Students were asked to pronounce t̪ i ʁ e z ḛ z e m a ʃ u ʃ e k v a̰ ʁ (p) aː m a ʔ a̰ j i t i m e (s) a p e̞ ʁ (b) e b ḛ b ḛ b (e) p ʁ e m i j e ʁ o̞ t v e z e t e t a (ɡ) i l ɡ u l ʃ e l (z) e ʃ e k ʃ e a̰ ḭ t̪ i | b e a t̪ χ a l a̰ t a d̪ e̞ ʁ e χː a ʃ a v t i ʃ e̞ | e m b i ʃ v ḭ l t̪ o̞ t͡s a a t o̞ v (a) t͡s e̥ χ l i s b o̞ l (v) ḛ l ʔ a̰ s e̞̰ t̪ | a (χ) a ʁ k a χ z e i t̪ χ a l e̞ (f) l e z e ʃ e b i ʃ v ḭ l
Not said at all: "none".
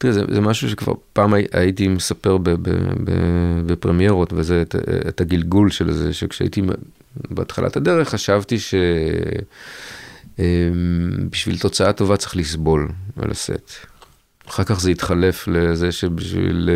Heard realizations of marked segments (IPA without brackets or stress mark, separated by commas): p, s, b, e, ɡ, z, a, v, χ, f